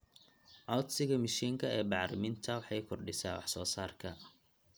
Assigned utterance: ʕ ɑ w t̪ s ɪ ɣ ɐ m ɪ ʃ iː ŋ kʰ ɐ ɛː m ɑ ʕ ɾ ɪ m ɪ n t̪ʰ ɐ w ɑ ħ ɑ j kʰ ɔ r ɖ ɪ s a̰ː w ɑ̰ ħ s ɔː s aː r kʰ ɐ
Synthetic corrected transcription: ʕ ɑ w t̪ s ɪ ɣ ɐ m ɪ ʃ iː ŋ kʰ ɐ ɛː b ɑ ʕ ɾ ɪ m ɪ n t̪ʰ ɐ w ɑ ħ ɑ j kʰ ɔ r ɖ ɪ s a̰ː w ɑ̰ ħ s ɔː s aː r kʰ ɐ